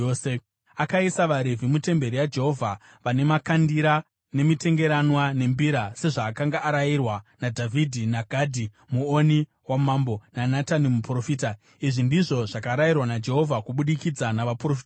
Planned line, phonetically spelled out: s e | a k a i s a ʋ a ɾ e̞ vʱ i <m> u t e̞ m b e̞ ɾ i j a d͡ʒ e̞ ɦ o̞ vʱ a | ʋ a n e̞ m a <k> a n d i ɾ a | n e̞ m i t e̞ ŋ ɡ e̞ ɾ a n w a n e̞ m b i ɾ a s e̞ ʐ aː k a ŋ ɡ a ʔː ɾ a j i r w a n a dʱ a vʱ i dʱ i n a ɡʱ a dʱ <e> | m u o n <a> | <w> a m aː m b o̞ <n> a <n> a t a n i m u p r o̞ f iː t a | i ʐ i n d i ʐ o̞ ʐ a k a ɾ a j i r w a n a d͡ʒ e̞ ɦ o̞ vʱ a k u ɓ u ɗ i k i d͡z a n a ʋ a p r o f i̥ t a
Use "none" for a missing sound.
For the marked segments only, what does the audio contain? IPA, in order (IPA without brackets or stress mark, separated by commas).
m, k, i, i, w, n, n